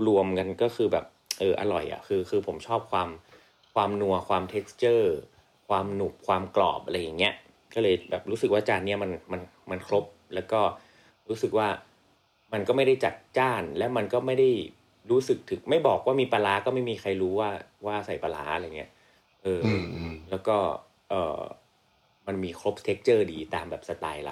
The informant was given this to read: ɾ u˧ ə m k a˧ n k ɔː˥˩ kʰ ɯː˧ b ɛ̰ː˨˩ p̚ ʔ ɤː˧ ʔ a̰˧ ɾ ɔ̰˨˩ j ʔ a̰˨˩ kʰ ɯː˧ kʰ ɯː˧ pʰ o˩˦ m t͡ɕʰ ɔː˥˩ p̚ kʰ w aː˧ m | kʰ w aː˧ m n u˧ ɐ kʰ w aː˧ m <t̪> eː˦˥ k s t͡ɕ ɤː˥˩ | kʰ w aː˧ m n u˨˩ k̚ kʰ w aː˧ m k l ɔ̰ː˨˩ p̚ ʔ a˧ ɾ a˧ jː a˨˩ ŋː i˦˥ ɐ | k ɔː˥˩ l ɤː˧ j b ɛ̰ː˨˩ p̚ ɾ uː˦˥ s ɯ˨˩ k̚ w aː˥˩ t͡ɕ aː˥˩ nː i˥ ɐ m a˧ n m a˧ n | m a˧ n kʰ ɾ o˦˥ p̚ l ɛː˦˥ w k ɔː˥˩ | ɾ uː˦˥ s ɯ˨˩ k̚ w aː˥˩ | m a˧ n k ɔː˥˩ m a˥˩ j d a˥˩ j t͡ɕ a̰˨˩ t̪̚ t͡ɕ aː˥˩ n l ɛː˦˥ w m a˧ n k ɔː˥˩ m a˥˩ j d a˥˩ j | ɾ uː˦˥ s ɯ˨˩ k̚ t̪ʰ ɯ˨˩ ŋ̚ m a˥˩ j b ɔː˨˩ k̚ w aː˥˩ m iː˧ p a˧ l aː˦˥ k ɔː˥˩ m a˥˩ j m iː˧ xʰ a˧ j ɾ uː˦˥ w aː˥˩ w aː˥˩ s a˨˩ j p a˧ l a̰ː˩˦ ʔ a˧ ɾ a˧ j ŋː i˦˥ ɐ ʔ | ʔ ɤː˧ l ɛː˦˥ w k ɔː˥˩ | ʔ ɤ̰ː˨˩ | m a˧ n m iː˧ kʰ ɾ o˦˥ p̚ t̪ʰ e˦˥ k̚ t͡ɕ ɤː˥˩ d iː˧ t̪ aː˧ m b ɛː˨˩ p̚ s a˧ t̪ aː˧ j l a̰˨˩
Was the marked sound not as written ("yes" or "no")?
yes